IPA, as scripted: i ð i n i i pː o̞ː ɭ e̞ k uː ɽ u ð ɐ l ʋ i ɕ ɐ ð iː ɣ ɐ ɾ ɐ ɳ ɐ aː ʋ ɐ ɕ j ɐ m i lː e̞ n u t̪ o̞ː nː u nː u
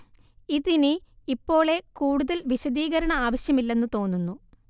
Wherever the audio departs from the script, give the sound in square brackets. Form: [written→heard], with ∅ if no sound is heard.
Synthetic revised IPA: i ð i n i i pː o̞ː ɭ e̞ k uː ɽ u ð ɐ l ʋ i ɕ ɐ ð iː ɣ ɐ ɾ ɐ ɳ ɐ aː ʋ ɐ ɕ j ɐ m i lː e̞ [n→nː] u t̪ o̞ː nː u nː u